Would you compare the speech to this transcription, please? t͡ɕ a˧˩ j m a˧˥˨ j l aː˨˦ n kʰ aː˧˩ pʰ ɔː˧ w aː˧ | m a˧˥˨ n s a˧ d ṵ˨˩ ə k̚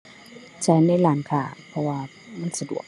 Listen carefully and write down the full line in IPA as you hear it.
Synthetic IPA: t͡ɕ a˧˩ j n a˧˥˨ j l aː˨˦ n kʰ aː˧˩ pʰ ɔ˧ w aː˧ | m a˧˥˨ n s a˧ d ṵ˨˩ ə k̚